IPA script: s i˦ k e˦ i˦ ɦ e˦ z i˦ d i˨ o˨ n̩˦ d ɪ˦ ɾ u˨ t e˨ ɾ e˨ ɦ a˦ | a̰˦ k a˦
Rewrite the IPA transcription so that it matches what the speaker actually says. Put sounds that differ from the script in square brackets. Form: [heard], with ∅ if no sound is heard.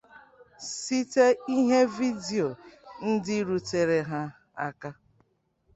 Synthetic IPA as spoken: s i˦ [t] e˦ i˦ ɦ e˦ [v] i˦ d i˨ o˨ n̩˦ d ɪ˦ ɾ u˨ t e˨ ɾ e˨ ɦ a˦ | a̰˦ k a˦